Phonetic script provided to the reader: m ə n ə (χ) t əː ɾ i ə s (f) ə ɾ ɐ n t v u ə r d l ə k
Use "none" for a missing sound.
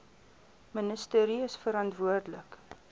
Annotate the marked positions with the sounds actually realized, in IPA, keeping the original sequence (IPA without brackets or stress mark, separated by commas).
s, f